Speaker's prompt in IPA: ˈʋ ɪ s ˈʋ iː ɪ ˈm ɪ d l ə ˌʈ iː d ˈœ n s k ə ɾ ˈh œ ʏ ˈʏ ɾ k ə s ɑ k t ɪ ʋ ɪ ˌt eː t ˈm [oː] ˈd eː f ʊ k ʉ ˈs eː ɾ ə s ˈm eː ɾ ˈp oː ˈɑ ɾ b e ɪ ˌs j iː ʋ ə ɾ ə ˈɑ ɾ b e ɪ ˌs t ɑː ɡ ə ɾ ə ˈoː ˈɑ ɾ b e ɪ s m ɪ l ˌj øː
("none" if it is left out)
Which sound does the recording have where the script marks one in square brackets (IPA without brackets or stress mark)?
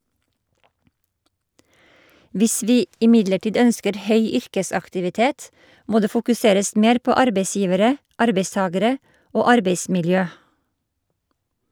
oː